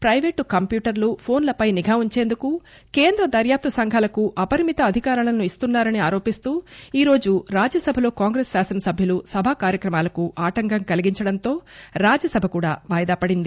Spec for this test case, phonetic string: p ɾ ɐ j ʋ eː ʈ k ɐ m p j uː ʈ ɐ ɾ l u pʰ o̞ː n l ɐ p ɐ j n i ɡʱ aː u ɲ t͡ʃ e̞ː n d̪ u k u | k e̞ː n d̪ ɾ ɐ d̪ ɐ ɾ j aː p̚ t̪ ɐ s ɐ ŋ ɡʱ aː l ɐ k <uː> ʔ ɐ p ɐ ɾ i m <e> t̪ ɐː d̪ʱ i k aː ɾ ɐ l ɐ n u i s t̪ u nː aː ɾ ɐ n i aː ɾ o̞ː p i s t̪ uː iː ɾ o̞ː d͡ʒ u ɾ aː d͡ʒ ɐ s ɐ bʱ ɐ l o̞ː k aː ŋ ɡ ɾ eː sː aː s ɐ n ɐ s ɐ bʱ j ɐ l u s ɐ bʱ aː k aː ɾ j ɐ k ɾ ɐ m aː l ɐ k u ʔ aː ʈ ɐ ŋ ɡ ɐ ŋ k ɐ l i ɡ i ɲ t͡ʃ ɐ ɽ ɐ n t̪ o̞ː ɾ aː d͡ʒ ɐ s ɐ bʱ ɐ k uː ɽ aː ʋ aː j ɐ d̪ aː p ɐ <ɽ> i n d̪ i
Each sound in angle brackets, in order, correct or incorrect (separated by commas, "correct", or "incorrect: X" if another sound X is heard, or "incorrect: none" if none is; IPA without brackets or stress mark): incorrect: u, incorrect: i, correct